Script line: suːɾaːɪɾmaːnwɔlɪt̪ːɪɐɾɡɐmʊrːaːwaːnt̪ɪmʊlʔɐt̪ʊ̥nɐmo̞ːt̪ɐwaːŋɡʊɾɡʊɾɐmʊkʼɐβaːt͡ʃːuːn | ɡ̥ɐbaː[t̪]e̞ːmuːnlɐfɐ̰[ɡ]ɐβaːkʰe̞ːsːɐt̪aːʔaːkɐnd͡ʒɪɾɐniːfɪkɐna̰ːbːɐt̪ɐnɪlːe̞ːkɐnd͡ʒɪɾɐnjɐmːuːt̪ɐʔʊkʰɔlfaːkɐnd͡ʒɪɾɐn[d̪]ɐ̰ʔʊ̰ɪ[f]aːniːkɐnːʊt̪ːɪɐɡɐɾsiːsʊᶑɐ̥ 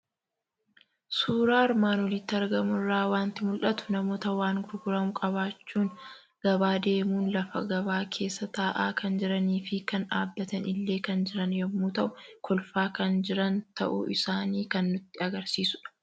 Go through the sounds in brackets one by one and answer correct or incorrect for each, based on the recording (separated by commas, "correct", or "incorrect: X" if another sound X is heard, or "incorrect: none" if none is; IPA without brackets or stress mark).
incorrect: d̪, correct, incorrect: t̪, incorrect: s